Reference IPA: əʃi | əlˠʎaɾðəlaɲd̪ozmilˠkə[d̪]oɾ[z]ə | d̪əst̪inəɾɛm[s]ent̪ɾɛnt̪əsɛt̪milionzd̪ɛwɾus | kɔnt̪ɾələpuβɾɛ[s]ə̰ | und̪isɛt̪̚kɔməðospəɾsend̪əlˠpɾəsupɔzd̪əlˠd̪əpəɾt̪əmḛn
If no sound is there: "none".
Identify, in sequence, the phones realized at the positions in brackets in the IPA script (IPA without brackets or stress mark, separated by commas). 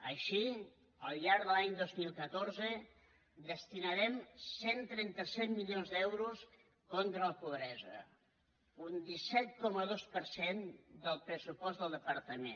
t̪, z, s, z